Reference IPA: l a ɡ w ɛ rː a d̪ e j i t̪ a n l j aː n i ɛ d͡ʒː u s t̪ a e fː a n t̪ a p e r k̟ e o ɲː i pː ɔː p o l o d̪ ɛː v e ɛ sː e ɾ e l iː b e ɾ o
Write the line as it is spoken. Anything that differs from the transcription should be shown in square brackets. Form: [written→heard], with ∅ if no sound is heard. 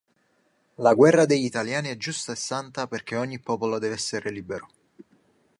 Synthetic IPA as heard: l a ɡ w ɛ rː a d̪ e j i t̪ a [n→∅] l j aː n i ɛ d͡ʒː u s t̪ a e [fː→sː] a n t̪ a p e r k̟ e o ɲː i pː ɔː p o l o d̪ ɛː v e ɛ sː e ɾ e l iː b e ɾ o